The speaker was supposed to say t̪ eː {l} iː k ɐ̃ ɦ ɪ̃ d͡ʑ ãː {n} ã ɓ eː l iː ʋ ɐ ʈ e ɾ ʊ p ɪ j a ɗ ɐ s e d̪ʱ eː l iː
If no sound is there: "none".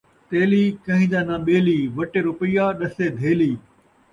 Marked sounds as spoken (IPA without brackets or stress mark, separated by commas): l, n